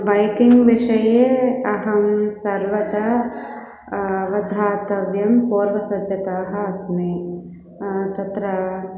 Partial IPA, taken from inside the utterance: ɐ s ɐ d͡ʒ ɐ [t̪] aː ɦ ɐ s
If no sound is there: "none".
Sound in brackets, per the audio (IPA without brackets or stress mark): t̪